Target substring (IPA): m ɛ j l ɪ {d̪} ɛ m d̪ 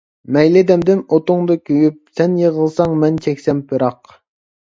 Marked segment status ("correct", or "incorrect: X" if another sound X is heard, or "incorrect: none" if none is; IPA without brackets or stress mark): correct